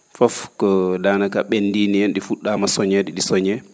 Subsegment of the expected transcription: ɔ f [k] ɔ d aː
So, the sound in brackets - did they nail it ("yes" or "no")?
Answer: yes